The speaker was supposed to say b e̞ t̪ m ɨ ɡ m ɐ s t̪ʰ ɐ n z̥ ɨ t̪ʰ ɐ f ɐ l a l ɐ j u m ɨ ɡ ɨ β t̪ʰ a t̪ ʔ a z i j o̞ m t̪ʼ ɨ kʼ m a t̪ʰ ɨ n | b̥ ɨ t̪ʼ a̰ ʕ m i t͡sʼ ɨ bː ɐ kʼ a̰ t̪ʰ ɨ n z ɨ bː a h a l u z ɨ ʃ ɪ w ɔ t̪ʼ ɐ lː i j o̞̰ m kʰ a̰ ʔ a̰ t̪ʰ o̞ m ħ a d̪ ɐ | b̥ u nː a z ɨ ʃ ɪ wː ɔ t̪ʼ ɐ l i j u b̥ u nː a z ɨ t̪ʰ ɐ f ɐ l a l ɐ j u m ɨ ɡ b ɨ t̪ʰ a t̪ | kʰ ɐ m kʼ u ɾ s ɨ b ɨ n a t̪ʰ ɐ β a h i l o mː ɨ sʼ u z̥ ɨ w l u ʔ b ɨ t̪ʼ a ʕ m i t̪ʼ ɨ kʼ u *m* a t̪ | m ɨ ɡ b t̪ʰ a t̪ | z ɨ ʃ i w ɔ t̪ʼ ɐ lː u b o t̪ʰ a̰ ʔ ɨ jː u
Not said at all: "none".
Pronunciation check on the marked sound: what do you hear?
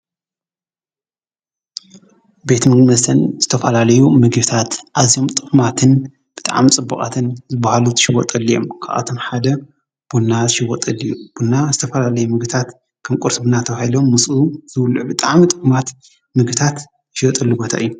m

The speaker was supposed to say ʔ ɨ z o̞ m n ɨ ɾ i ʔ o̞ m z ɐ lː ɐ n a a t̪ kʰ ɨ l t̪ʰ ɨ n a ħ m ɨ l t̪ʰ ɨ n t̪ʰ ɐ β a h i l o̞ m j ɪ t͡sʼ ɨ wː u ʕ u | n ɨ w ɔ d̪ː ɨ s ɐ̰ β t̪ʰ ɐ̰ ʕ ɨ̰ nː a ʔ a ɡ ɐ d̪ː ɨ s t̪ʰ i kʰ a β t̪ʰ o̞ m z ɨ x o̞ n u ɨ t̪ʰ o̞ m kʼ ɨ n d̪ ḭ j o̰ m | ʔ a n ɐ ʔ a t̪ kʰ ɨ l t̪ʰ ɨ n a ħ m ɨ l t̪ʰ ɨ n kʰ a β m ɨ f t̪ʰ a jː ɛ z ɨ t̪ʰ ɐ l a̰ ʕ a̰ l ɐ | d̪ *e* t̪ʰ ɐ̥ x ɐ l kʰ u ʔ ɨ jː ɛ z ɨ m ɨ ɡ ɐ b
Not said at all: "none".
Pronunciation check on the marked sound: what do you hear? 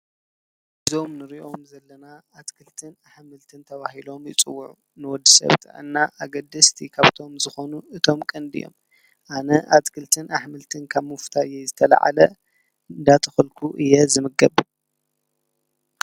a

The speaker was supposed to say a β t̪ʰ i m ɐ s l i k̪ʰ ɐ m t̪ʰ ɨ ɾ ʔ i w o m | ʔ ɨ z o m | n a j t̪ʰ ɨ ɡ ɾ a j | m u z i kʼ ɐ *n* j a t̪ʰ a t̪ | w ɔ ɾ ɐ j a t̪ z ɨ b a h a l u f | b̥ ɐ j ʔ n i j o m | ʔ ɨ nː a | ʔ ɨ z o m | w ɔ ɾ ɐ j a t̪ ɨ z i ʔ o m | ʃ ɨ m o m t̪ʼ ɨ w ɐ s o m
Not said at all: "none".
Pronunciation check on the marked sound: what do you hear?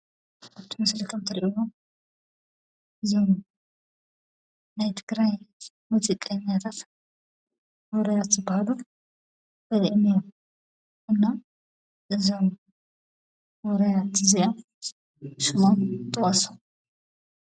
ɲ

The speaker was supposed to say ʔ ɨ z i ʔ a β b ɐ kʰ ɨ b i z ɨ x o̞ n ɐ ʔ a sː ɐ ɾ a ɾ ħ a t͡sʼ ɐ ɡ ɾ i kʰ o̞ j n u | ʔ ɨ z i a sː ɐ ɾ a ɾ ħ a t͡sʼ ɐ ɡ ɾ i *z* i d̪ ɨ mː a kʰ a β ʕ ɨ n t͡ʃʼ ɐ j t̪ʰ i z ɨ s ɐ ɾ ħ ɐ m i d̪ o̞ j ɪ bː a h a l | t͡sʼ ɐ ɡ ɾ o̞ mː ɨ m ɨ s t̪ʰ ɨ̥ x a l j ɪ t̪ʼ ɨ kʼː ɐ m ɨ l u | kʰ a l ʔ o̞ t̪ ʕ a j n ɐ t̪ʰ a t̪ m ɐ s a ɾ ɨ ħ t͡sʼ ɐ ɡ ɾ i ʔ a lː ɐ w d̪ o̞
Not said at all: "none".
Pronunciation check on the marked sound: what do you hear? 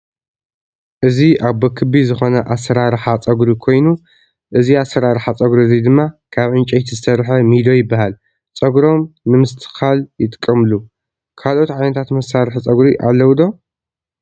z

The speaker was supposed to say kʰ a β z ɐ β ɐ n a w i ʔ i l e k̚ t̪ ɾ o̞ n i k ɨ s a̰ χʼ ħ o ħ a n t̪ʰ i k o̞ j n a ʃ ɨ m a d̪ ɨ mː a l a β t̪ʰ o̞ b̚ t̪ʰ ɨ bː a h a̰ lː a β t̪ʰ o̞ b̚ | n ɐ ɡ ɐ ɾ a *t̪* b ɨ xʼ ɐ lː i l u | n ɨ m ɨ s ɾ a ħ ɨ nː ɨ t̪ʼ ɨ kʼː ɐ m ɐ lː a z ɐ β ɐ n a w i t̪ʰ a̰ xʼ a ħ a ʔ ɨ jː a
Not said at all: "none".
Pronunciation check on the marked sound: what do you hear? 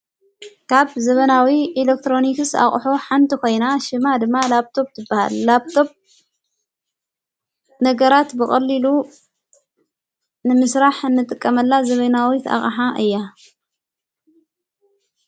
t̪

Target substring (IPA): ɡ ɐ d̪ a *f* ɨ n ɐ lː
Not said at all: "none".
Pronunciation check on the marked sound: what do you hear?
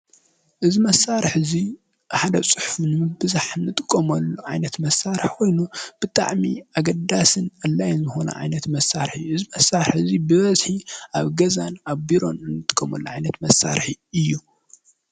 s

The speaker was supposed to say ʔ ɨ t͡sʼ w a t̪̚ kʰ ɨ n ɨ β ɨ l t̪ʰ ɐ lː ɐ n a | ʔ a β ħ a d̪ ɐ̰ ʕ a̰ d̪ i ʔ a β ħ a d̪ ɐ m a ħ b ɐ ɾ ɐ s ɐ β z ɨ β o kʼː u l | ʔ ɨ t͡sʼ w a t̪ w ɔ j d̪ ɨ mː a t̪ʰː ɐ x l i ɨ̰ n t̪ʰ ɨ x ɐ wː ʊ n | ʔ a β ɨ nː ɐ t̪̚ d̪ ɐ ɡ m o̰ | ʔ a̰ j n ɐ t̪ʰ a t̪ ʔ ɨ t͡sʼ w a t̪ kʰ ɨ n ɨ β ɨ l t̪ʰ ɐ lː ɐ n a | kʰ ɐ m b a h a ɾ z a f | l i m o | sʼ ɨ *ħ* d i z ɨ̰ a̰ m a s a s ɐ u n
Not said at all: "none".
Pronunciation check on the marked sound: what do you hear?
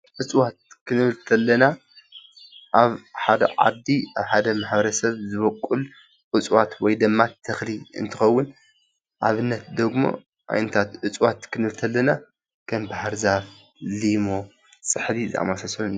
ħ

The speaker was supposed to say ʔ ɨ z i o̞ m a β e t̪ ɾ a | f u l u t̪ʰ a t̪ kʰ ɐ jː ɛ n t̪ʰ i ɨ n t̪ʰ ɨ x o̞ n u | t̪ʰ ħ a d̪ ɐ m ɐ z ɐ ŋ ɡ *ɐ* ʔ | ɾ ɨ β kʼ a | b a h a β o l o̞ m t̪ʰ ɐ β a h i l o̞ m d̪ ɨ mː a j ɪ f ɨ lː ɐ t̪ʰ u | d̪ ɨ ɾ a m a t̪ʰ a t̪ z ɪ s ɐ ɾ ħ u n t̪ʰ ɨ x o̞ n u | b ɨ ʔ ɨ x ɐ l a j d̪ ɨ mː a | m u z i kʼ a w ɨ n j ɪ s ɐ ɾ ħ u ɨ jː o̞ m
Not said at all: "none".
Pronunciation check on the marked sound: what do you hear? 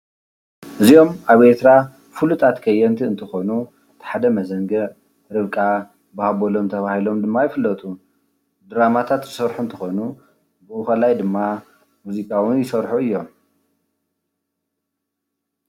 ɐ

